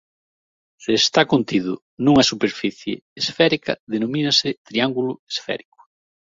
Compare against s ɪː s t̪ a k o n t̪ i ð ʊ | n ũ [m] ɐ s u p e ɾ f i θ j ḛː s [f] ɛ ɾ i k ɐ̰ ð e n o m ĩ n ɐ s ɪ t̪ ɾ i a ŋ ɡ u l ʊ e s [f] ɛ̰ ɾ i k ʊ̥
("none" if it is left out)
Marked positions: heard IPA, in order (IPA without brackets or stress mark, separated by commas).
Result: ŋ, f, f